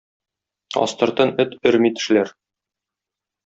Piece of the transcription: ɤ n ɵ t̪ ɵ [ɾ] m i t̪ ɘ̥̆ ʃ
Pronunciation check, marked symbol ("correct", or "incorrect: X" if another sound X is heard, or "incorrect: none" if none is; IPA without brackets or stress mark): correct